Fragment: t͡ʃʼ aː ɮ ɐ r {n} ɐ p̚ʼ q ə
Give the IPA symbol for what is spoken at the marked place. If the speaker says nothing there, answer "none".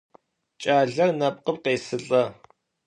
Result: n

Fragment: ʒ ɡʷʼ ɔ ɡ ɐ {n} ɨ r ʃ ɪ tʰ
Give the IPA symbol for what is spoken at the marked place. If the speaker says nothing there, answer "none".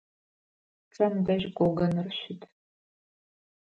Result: n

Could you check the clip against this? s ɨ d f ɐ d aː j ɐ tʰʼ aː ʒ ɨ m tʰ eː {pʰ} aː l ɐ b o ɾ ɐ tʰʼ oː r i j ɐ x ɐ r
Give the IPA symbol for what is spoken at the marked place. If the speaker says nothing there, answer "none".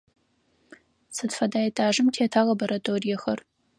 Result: tʰ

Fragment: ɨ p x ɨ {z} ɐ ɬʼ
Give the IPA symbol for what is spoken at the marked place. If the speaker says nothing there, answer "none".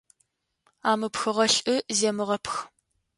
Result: ʁ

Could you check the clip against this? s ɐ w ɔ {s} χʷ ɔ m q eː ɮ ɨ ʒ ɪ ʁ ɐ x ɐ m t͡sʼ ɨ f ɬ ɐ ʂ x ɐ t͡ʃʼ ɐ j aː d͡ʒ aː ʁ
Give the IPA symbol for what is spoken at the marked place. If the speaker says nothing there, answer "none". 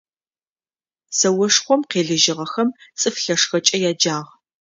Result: ʂ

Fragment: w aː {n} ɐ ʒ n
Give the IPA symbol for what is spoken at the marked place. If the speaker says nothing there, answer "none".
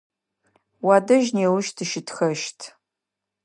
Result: d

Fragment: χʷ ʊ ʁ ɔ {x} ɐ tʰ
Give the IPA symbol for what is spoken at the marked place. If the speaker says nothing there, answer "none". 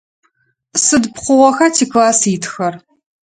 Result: x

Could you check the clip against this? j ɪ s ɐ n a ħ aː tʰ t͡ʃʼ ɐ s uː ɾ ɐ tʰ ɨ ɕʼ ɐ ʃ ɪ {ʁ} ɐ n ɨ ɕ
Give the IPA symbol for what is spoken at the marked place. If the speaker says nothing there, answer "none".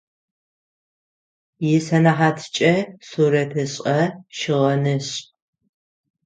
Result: ʁ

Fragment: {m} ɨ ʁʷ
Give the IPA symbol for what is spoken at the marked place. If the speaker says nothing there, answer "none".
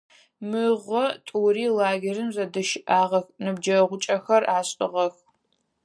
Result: m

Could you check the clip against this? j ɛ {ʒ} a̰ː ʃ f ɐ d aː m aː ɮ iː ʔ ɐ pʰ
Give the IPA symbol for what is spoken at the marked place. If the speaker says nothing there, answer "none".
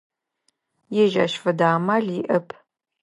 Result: ʒ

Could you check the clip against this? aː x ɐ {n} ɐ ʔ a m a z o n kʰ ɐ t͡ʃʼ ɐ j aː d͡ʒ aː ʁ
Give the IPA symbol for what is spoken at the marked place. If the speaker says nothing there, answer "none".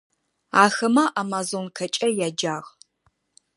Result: m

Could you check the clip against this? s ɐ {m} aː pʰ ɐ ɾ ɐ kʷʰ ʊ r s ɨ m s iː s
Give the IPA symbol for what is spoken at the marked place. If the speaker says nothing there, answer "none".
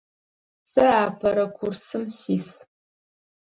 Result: none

